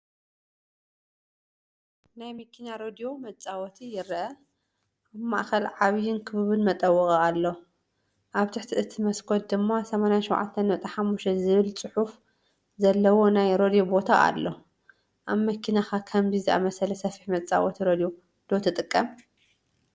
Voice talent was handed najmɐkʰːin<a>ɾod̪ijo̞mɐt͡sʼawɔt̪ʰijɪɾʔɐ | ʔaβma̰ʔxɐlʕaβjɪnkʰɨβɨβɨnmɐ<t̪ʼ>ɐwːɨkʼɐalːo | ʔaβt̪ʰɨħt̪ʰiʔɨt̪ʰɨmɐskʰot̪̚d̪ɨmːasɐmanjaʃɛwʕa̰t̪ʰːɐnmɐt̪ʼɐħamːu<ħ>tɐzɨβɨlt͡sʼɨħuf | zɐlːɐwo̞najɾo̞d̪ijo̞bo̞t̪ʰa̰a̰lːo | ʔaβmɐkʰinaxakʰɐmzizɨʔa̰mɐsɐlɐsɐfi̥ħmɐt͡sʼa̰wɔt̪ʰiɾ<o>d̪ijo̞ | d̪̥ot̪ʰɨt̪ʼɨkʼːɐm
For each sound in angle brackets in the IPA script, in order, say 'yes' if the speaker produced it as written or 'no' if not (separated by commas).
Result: yes, yes, no, yes